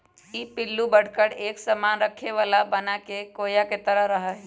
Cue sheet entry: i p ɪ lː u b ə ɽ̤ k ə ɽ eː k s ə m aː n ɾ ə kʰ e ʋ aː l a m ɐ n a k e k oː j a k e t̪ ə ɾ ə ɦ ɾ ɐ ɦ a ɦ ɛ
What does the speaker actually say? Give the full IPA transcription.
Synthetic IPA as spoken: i p ɪ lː u b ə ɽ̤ k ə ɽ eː k s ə m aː n ɾ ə kʰ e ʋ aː l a b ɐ n a k e k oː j a k e t̪ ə ɾ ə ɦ ɾ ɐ ɦ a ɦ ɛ